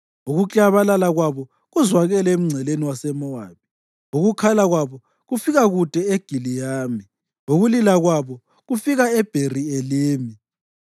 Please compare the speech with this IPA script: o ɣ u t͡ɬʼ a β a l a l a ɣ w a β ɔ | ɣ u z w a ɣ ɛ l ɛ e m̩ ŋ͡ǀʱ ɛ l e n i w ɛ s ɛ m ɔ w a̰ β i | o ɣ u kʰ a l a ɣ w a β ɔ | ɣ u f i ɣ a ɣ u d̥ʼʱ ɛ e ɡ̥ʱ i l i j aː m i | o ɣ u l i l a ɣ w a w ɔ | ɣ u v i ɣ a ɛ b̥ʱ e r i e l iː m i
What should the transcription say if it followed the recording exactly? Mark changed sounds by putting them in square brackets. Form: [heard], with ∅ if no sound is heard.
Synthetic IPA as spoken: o ɣ u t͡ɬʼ a β a l a l a ɣ w a β ɔ | ɣ u z w a ɣ ɛ l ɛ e m̩ ŋ͡ǀʱ ɛ l e n i w [a] s ɛ m ɔ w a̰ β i | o ɣ u kʰ a l a ɣ w a β ɔ | ɣ u f i ɣ a ɣ u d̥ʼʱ ɛ e ɡ̥ʱ i l i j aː m i | o ɣ u l i l a ɣ w a [β] ɔ | ɣ u [f] i ɣ a ɛ b̥ʱ e r i e l iː m i